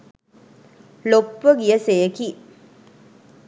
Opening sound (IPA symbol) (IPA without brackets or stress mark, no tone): l